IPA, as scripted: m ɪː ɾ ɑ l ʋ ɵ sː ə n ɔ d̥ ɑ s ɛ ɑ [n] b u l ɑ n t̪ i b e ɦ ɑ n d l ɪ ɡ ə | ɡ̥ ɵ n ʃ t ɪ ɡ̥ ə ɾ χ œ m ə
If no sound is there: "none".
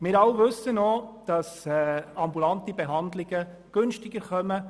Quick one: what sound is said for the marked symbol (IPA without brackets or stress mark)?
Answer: m